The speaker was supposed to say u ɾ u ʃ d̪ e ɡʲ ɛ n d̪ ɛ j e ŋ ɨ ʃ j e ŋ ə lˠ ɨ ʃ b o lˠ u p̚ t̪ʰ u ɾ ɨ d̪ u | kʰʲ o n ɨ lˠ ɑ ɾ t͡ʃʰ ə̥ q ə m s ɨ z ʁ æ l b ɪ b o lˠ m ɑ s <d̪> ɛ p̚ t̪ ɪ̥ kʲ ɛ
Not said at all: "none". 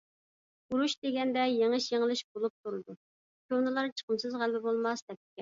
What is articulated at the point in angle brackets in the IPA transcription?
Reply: d̪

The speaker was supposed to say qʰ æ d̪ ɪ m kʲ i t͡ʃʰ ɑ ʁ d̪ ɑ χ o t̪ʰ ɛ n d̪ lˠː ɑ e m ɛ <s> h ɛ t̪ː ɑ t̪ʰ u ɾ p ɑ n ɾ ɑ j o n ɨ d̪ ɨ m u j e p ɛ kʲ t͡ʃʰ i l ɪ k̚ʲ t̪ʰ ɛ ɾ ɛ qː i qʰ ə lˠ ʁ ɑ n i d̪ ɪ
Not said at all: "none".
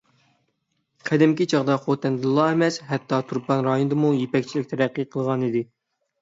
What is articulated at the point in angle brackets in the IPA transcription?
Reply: s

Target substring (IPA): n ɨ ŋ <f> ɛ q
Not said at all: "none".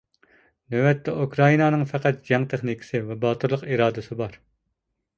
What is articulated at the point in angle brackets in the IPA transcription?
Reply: f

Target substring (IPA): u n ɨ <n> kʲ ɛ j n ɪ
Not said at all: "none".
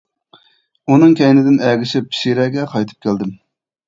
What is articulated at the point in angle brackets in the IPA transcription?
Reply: ŋ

